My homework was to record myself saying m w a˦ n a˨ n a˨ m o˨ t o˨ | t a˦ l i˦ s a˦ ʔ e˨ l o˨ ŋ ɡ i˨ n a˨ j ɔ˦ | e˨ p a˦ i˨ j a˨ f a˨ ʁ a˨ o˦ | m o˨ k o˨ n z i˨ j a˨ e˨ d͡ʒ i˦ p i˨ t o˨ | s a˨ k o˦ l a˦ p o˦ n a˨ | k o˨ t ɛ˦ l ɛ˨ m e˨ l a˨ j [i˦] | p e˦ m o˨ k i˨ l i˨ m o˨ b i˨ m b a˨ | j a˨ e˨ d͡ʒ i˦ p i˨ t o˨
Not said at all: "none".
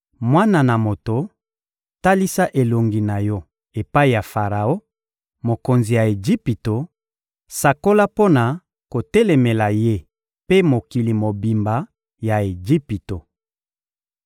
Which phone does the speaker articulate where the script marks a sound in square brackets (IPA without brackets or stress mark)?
e˦